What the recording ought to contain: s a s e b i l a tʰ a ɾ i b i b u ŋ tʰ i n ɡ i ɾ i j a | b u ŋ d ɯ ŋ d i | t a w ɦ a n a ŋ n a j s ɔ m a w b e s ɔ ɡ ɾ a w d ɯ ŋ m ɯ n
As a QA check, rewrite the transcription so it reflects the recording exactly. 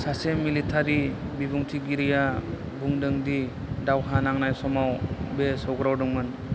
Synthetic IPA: s a s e m i l i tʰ a ɾ i b i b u ŋ tʰ i ɡ i ɾ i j a | b u ŋ d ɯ ŋ d i | d a w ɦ a n a ŋ n a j s ɔ m a w b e s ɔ ɡ ɾ a w d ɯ ŋ m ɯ n